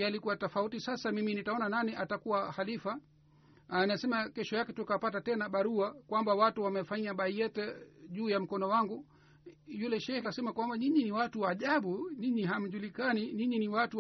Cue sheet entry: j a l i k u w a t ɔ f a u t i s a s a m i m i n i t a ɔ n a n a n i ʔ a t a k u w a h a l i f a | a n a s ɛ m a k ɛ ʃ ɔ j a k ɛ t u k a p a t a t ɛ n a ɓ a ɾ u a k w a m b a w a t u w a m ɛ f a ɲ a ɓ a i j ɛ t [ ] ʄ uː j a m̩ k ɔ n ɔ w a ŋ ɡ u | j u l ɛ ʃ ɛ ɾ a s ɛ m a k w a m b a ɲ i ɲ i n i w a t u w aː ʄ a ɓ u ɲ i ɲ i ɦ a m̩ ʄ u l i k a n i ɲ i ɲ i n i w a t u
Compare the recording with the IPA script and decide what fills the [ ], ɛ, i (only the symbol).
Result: ɛ